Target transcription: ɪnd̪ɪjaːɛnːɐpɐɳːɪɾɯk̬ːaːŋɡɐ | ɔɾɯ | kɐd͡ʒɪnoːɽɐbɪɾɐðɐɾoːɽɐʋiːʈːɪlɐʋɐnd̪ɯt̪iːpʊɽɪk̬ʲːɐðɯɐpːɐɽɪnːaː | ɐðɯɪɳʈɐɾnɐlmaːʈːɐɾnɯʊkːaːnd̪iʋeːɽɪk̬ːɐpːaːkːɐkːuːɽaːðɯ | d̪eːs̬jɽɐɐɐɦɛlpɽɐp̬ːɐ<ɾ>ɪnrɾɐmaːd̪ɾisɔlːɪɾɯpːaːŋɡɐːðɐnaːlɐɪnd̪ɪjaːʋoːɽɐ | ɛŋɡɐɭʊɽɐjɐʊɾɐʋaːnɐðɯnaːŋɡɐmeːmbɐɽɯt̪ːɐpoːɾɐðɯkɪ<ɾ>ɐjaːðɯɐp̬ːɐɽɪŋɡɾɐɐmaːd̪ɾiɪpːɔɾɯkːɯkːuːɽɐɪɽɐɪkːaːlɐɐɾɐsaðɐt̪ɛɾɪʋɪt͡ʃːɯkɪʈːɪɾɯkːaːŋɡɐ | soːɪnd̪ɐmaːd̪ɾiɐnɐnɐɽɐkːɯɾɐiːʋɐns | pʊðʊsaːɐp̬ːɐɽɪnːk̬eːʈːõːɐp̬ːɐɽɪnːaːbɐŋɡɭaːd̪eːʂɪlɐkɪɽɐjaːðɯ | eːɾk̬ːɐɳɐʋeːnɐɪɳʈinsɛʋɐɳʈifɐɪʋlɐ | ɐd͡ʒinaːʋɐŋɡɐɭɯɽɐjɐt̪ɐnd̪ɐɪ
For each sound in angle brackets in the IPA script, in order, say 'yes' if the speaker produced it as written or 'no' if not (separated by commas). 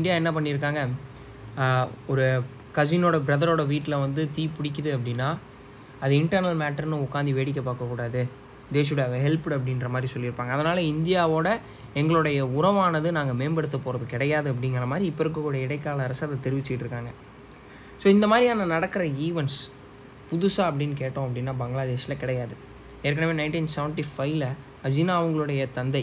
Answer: no, no